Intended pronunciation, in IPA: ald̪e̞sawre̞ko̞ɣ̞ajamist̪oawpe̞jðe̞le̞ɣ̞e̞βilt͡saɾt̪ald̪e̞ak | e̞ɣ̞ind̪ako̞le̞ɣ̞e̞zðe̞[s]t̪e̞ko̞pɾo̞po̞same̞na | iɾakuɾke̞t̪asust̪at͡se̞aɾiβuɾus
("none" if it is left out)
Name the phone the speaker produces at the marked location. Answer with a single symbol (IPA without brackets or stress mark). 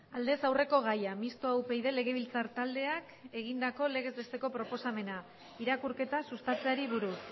s